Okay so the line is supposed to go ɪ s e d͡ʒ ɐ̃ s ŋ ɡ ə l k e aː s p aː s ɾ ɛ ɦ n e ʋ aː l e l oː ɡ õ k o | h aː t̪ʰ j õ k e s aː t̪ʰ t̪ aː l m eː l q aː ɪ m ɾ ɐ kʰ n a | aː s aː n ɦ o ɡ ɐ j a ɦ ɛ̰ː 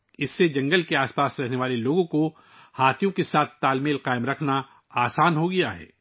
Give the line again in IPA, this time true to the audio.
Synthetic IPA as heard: ɪ sː e d͡ʒ ɐ̃ ŋ ɡ ə l k e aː s p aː s ɾ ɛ ɦ n e ʋ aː l e l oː ɡ õ k o | h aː t̪ʰ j õ k e s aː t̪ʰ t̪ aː l m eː l q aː ɪ m ɾ ɐ kʰ n a | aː s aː n ɦ o ɡ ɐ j a ɦ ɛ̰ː